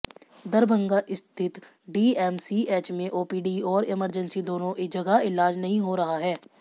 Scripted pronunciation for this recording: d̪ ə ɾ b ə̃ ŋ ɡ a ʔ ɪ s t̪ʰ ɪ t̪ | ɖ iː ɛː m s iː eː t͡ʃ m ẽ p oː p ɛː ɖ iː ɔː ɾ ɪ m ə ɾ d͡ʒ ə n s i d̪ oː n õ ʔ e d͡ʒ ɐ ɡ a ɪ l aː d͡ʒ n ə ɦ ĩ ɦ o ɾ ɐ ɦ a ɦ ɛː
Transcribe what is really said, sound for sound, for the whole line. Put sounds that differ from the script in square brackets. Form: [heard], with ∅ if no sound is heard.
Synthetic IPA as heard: d̪ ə ɾ b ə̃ ŋ ɡ a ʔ ɪ s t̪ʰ ɪ t̪ | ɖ iː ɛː m s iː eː t͡ʃ m ẽ [ʔ] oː p [iː] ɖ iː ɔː ɾ ɪ m ə ɾ d͡ʒ ə n s i d̪ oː n õ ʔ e d͡ʒ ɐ ɡ a ɪ l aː d͡ʒ n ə ɦ ĩ ɦ o ɾ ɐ ɦ a ɦ ɛː